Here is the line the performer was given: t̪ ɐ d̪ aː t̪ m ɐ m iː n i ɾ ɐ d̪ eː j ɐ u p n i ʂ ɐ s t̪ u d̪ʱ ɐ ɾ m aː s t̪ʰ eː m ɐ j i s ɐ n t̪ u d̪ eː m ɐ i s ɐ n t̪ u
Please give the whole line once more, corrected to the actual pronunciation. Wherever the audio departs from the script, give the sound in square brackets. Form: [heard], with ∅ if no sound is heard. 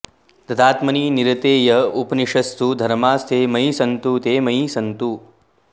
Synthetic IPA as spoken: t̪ ɐ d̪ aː t̪ m ɐ [n] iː n i ɾ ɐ [t̪] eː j ɐ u p n i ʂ ɐ s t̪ u d̪ʱ ɐ ɾ m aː s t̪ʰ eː m ɐ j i s ɐ n t̪ u [t̪] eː m ɐ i s ɐ n t̪ u